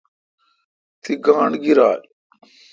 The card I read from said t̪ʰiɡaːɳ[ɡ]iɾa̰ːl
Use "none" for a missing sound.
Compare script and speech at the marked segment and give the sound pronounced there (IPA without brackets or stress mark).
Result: ɡ